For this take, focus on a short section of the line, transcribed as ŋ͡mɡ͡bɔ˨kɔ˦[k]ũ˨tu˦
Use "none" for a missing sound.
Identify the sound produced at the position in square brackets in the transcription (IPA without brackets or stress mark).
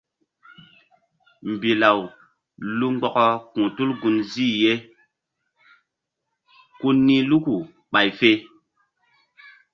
k